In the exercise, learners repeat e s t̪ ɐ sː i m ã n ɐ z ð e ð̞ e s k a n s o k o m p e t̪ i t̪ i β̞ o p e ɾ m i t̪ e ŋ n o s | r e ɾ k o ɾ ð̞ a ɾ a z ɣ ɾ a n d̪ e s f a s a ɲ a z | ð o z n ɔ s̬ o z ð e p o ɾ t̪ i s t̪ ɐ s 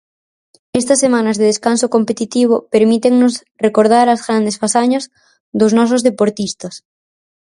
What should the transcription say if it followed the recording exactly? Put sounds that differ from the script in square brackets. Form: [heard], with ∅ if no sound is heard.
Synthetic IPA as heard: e s t̪ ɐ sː [e] m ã n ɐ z ð e ð̞ e s k a n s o k o m p e t̪ i t̪ i β̞ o p e ɾ m i t̪ e ŋ n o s | r e [∅] k o ɾ ð̞ a ɾ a z ɣ ɾ a n d̪ e s f a s a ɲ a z | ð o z n ɔ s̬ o z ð e p o ɾ t̪ i s t̪ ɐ s

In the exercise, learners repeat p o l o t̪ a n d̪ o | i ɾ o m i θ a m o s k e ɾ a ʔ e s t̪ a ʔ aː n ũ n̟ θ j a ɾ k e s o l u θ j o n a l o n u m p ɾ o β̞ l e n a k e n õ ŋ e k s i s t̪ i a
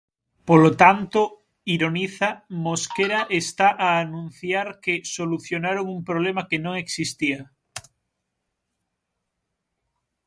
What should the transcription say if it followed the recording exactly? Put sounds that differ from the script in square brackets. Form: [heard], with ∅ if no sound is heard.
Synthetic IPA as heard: p o l o t̪ a n [t̪] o | i ɾ o [n] i θ a m o s k e ɾ a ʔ e s t̪ a ʔ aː n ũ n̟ θ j a ɾ k e s o l u θ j o n a [ɾ] o [ŋ] u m p ɾ o β̞ l e [m] a k e n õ ŋ e k s i s t̪ i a

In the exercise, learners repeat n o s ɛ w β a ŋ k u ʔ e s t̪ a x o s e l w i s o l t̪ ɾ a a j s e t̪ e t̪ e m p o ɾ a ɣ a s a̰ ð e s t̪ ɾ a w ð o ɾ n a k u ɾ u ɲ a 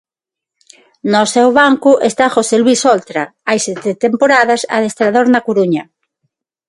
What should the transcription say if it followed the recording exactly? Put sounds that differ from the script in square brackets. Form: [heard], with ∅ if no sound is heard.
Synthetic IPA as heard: n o s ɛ w β a ŋ k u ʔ e s t̪ a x o s e l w i s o l t̪ ɾ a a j s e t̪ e t̪ e m p o ɾ a [ð] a s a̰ ð e s t̪ ɾ a [∅] ð o ɾ n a k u ɾ u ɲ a

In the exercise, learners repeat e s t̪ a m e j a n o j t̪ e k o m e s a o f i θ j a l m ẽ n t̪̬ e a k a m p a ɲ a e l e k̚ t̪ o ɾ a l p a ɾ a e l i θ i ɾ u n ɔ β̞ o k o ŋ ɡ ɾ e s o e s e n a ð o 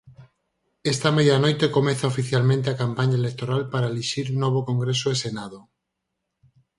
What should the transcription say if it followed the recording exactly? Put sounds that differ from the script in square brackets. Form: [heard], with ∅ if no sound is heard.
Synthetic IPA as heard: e s t̪ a m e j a n o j t̪ e k o m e [θ] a o f i θ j a l m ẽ n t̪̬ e a k a m p a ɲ a e l e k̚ t̪ o ɾ a l p a ɾ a e l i [ʃ] i ɾ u n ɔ β̞ o k o ŋ ɡ ɾ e s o e s e n a ð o

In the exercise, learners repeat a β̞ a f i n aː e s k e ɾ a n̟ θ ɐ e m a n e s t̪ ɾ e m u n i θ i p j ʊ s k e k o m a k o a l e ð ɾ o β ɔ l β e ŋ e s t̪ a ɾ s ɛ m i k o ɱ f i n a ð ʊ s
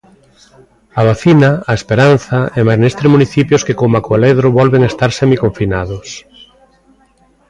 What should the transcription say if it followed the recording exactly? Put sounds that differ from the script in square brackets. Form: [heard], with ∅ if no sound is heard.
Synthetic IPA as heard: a β̞ a [θ] i n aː e s [p] e ɾ a n̟ θ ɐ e m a n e s t̪ ɾ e m u n i θ i p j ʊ s k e k o m a k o a l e ð ɾ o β ɔ l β e ŋ e s t̪ a ɾ s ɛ m i k o ɱ f i n a ð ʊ s

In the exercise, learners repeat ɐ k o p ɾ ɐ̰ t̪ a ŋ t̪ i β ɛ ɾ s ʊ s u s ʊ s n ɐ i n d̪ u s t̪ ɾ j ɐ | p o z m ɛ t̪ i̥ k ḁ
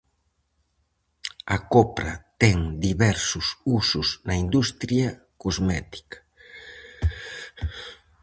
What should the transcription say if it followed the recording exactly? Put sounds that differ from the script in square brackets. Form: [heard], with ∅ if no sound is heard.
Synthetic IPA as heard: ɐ k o p ɾ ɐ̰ t̪ [ɛ] ŋ [d̪] i β ɛ ɾ s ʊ s u s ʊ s n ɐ i n d̪ u s t̪ ɾ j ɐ | [k] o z m ɛ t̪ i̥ k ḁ

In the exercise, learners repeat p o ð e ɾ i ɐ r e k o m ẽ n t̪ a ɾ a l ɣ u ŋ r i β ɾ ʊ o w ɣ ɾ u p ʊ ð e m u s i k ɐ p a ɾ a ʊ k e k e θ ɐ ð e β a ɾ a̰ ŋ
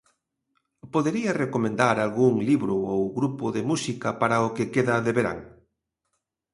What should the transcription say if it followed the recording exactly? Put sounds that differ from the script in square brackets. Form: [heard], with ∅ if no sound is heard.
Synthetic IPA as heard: p o ð e ɾ i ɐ r e k o m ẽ n [d̪] a ɾ a l ɣ u ŋ [l] i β ɾ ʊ o w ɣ ɾ u p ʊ ð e m u s i k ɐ p a ɾ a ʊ k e k e [ð] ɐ ð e β [e] ɾ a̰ ŋ

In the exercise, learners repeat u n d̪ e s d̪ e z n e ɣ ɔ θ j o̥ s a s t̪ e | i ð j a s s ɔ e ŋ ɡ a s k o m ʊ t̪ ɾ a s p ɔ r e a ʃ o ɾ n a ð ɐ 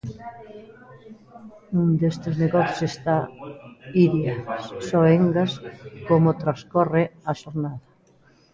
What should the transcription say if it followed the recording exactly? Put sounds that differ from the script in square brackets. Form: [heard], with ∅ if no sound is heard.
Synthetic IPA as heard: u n d̪ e s [t̪] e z n e ɣ ɔ θ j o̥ s [e] s t̪ [a] | i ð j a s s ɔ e ŋ ɡ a s k o m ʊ t̪ ɾ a s [k] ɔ r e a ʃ o ɾ n a ð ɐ

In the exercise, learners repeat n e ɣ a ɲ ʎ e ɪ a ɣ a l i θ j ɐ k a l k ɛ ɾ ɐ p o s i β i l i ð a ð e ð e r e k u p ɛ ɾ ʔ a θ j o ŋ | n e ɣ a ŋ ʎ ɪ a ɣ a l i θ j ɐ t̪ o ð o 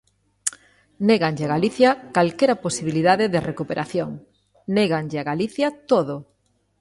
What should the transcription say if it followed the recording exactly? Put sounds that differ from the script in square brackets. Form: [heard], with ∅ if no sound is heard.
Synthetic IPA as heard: n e ɣ a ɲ ʎ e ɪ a ɣ a l i θ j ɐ k a l k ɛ ɾ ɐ p o s i β i l i ð a ð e ð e r e k u p [e] ɾ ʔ a θ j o ŋ | n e ɣ a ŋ ʎ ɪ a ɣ a l i θ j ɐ t̪ o ð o

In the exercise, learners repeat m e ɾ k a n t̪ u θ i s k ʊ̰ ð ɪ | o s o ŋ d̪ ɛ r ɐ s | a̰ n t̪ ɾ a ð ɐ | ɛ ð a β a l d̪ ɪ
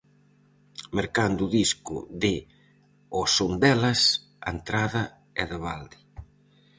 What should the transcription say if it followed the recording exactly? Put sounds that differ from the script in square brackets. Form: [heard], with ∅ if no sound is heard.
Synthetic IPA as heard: m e ɾ k a n [d̪] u [ð] i s k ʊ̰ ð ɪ | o s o [n] d̪ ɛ [l] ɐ s | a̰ n t̪ ɾ a ð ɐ | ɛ ð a β a l d̪ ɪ

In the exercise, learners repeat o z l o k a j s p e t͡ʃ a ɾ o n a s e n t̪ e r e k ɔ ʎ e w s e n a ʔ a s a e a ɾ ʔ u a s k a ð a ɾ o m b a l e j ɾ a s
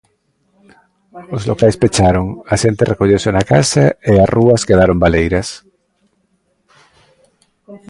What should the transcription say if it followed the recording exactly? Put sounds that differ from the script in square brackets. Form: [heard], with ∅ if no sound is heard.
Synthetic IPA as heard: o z l o k a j s p e t͡ʃ a ɾ o [ŋ] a [ʃ] e n t̪ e r e k [o] ʎ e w s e n a [k] a s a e a [r] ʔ u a s k [e] ð a ɾ o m b a l e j ɾ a s

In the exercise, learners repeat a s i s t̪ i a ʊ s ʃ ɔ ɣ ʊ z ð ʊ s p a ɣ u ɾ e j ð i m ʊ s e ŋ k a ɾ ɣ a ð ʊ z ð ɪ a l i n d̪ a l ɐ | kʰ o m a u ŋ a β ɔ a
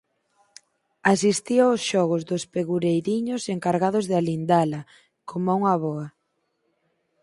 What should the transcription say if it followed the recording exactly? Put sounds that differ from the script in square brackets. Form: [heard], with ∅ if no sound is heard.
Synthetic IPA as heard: a s i s t̪ i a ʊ s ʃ ɔ ɣ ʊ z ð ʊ s p [e] ɣ u ɾ e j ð i [ɲ] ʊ s e ŋ k a ɾ ɣ a ð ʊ z ð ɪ a l i n d̪ a l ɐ | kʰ o m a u ŋ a β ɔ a

